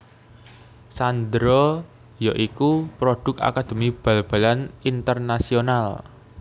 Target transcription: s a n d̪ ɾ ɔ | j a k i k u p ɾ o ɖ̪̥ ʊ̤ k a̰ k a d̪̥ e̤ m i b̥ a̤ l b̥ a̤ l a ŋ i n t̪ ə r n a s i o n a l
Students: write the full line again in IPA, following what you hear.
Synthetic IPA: s a n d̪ ɾ ɔ | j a ʔ i k u p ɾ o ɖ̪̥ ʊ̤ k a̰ k a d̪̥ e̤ m i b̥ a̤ l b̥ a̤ l a n i n t̪ ə r n a s i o n a l